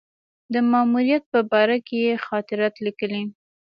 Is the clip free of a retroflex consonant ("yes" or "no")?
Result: yes